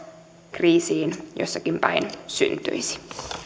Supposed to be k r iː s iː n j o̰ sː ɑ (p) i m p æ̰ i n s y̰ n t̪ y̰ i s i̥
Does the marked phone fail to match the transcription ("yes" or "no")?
yes